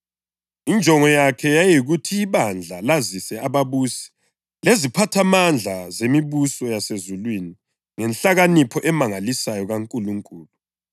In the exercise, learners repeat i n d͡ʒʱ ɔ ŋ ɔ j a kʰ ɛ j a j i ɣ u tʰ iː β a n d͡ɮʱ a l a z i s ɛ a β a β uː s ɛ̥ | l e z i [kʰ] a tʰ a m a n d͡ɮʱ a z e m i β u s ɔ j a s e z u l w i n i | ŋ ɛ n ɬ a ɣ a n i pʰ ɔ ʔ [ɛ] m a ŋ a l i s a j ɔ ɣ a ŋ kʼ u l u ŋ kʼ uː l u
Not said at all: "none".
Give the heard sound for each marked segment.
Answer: pʰ, ɛ

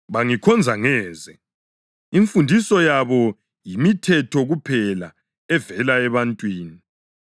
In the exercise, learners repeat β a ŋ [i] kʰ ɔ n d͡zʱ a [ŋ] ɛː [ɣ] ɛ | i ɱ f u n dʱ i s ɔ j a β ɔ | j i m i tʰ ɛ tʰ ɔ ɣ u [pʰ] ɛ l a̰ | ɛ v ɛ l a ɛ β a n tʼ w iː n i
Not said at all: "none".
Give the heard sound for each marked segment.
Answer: i, ŋ, z, pʰ

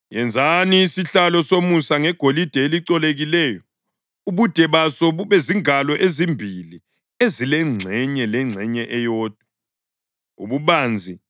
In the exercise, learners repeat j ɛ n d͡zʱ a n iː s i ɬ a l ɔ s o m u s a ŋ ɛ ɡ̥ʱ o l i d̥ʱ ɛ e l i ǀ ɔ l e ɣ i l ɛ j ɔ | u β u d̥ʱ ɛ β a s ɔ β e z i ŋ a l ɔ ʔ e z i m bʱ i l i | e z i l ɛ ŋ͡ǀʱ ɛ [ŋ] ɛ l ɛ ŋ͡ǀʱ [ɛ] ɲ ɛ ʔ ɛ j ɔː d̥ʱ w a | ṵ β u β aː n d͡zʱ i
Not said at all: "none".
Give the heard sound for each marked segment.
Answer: ɲ, ɛ

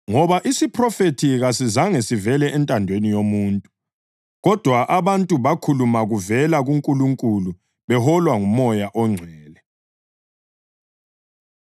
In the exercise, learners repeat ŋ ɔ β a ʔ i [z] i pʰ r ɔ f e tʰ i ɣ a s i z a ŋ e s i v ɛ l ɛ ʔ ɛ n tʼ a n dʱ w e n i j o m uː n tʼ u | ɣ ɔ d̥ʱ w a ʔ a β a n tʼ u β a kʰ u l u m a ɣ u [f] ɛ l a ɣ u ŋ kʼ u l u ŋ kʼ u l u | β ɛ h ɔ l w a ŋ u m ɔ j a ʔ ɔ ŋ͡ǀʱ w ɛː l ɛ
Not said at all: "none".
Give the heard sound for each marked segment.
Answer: s, v

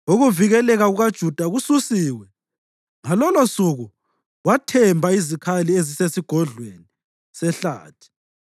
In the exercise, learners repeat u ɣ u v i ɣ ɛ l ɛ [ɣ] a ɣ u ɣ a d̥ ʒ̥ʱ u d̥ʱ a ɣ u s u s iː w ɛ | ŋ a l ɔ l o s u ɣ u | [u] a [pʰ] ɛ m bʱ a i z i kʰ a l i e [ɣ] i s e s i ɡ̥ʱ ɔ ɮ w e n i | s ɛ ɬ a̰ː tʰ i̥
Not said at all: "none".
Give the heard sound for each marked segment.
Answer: ɣ, w, tʰ, z

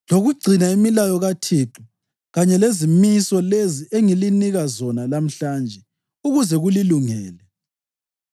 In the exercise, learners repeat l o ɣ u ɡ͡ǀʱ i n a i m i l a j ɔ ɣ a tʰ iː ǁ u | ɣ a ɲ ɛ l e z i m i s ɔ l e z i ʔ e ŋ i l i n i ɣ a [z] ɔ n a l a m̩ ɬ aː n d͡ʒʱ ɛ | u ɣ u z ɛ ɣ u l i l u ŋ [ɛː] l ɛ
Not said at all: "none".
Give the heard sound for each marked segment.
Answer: z, ɛː

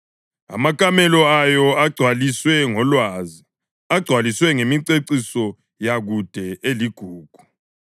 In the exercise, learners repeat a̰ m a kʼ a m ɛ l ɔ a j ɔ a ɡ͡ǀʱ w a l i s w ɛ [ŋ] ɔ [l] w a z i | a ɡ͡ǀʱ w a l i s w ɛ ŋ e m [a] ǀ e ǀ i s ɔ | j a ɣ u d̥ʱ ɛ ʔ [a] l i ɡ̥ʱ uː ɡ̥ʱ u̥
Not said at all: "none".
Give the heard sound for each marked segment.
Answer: ŋ, l, i, e

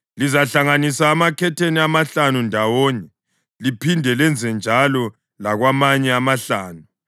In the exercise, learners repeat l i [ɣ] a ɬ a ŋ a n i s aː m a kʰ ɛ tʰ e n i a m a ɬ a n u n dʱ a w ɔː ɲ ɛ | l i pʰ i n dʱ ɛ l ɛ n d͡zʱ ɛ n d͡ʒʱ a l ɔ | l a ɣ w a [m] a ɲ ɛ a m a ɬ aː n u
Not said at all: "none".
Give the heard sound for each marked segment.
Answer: z, m

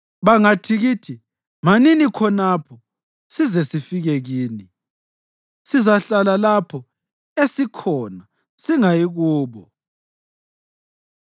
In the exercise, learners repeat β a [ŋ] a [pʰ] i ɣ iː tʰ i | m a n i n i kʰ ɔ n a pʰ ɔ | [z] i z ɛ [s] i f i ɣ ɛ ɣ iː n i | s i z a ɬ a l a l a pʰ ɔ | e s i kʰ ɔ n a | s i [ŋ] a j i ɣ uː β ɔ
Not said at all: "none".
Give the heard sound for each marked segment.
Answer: ŋ, tʰ, s, s, ŋ

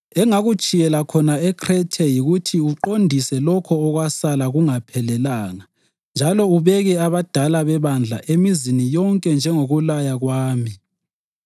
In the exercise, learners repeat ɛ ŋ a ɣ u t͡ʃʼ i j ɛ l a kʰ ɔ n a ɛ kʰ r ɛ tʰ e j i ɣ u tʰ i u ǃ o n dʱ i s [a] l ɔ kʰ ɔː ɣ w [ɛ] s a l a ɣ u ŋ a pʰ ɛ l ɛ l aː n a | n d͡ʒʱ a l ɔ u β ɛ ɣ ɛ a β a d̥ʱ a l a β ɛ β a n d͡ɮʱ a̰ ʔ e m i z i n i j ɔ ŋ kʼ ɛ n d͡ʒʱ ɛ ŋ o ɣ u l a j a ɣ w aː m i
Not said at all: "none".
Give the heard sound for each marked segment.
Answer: ɛ, a

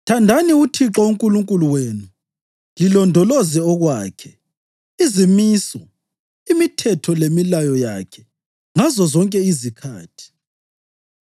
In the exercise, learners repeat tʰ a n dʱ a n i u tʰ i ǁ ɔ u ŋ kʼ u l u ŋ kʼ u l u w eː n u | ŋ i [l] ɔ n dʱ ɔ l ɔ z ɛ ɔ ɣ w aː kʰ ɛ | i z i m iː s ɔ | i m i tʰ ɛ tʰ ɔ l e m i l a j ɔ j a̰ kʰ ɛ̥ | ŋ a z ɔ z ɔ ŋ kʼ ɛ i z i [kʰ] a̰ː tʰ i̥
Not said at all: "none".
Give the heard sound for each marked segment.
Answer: l, kʰ

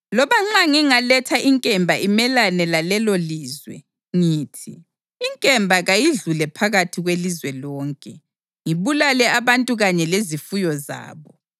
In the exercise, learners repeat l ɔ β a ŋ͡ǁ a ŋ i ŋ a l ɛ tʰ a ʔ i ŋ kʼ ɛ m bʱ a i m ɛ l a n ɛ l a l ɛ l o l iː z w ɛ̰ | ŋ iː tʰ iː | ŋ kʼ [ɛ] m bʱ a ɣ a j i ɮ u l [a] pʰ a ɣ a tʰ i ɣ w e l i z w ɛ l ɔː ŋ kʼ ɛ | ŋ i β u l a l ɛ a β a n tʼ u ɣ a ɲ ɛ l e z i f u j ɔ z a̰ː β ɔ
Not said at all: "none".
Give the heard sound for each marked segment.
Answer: ɛ, ɛ

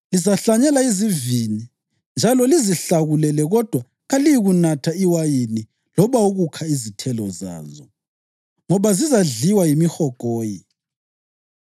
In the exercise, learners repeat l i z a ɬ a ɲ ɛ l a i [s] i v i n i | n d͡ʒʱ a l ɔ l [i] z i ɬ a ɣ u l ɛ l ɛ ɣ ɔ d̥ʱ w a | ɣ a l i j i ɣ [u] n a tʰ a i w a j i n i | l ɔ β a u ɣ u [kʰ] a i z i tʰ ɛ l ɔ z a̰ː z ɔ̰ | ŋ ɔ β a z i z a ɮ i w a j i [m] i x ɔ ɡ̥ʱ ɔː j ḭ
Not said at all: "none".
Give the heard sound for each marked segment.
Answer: z, i, u, kʰ, m

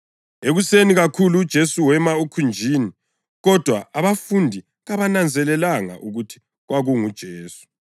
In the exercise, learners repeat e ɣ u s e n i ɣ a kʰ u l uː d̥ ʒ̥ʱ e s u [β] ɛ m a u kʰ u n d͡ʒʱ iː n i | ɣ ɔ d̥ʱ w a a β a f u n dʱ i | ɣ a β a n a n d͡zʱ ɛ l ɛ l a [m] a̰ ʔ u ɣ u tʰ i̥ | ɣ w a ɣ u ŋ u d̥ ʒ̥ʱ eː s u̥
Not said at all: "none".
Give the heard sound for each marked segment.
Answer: w, ŋ

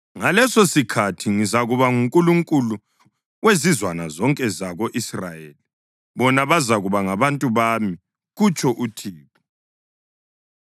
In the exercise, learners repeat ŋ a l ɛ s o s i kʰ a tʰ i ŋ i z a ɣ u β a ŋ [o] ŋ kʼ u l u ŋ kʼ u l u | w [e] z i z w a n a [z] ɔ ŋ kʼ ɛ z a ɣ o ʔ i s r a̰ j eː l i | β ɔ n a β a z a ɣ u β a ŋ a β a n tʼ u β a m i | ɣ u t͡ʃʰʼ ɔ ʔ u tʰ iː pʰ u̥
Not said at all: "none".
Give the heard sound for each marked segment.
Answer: u, e, z

